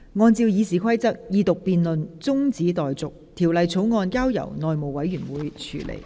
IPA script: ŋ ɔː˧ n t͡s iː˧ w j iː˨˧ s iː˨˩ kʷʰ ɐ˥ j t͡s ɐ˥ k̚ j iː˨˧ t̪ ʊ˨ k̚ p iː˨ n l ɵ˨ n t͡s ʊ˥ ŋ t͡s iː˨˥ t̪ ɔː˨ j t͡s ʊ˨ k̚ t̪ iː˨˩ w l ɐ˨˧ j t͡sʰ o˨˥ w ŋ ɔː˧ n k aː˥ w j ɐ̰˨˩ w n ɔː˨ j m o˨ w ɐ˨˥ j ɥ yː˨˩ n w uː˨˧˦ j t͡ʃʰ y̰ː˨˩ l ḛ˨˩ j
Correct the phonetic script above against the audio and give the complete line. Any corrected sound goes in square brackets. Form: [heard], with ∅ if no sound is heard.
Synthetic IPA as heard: ŋ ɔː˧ n t͡s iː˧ w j iː˨˧ s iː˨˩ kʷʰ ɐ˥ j t͡s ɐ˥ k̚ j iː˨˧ t̪ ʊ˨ k̚ p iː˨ n l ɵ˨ n t͡s ʊ˥ ŋ t͡s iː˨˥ t̪ ɔː˨ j t͡s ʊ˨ k̚ [t̪ʰ] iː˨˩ w l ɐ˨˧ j t͡sʰ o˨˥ w ŋ ɔː˧ n k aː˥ w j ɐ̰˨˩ w n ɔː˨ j m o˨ w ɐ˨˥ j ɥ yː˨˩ n w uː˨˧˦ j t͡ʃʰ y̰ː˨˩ l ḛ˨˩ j